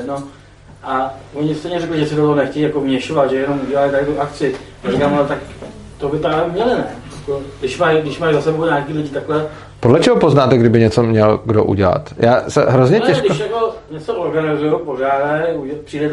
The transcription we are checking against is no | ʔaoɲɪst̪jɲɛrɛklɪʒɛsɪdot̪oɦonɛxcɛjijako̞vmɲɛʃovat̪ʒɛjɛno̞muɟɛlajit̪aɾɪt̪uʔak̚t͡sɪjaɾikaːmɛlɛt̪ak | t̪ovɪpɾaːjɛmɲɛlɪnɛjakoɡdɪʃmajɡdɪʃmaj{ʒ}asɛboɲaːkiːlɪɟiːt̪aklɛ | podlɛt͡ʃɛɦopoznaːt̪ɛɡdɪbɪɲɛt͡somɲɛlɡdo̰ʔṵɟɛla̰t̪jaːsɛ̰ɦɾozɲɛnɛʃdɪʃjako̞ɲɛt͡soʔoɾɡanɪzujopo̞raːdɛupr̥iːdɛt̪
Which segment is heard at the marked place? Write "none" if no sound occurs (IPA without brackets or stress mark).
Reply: z